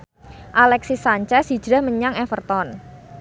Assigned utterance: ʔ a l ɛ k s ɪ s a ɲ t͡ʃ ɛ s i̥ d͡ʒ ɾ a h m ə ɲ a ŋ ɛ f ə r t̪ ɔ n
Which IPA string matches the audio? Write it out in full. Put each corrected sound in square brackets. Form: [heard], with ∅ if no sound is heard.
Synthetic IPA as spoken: ʔ a l ɛ k s [i] s a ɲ t͡ʃ ɛ s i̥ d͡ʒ ɾ a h m ə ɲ a ŋ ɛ f ə r t̪ ɔ n